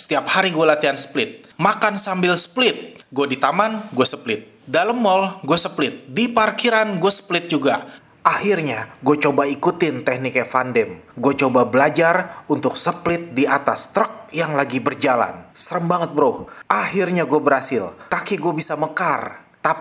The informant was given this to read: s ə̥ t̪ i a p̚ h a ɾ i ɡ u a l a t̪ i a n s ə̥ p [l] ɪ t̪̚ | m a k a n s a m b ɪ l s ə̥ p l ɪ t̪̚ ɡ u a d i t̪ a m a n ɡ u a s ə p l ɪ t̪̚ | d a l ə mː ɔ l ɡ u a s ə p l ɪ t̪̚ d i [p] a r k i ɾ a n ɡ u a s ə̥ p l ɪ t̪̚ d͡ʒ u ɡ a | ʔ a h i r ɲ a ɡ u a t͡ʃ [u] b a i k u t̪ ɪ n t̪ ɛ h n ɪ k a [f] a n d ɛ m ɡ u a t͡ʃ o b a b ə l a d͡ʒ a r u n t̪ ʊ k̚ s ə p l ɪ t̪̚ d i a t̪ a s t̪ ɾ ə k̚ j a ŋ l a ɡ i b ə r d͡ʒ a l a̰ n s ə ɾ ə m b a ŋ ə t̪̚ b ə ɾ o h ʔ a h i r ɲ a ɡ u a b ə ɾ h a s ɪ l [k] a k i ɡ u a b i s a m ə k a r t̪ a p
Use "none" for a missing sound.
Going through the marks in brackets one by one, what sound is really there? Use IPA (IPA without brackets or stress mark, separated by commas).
l, p, o, f, k